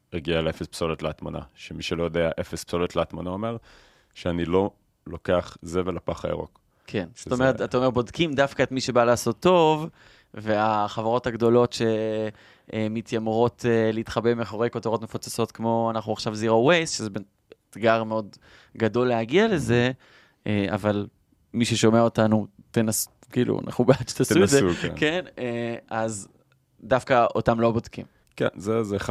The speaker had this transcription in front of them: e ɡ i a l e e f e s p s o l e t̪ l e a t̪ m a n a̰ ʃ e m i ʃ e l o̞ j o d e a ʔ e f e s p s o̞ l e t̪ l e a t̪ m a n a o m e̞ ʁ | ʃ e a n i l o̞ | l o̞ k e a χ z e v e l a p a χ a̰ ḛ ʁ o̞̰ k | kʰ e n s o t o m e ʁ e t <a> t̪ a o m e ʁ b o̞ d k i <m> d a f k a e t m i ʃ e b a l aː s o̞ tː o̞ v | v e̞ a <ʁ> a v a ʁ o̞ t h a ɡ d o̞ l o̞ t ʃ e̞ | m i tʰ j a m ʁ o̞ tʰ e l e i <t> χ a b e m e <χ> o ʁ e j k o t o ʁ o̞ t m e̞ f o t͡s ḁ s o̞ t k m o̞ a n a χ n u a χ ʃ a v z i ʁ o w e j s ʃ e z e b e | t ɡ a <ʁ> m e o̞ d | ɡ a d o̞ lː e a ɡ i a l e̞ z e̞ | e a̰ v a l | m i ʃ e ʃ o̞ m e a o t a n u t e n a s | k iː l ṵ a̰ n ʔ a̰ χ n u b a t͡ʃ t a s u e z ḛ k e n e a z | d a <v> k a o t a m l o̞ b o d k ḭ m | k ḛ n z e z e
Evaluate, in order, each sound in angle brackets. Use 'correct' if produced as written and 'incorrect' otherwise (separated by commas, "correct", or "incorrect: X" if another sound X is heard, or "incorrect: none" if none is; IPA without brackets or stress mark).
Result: correct, correct, incorrect: χ, correct, correct, correct, incorrect: f